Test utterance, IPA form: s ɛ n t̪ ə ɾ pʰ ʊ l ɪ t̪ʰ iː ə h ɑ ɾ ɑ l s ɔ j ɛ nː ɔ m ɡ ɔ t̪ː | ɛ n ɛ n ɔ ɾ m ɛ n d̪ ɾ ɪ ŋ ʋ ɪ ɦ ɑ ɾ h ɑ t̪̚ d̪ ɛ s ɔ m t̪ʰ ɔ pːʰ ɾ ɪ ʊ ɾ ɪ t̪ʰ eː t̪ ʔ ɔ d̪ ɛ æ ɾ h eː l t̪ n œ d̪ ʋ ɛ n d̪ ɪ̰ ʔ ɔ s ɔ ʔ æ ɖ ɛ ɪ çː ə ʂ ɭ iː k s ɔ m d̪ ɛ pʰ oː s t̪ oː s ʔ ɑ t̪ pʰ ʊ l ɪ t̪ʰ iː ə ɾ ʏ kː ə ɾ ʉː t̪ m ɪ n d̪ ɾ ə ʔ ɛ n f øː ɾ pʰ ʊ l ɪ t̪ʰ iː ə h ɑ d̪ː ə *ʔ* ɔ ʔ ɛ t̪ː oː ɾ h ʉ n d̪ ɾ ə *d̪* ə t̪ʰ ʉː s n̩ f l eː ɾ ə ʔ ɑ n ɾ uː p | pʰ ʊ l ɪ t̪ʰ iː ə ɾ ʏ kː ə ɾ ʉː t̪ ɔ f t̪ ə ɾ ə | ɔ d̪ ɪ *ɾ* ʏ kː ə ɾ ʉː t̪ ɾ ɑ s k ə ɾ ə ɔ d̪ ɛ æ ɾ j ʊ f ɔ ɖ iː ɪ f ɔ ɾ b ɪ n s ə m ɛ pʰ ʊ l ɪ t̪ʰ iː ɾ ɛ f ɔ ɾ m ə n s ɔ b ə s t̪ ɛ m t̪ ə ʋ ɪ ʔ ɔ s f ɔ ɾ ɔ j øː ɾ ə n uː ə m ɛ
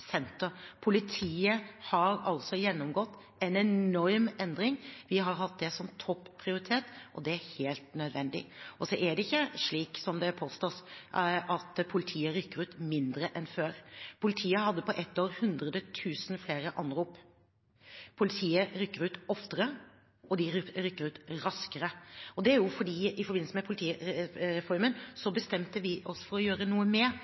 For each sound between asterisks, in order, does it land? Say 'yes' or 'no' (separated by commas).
no, yes, yes